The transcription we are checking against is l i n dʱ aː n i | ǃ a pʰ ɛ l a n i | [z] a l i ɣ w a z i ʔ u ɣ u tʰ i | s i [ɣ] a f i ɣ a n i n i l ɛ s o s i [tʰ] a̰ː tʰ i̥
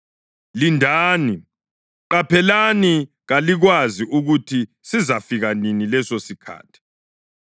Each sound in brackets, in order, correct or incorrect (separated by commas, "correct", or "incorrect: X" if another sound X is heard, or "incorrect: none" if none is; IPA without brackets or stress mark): incorrect: ɣ, incorrect: z, incorrect: kʰ